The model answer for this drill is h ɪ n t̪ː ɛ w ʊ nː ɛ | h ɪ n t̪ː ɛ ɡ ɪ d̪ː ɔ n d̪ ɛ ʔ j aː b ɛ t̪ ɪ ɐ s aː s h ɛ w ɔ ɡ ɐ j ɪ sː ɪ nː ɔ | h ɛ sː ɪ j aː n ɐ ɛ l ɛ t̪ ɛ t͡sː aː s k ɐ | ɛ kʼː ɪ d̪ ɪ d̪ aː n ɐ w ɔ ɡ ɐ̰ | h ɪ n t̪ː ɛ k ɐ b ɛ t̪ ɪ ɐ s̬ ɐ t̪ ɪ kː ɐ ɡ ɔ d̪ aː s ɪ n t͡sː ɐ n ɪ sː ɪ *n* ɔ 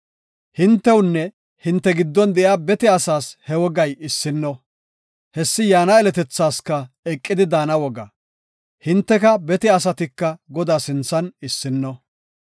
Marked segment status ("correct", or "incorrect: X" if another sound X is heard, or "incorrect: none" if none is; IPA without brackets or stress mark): incorrect: nː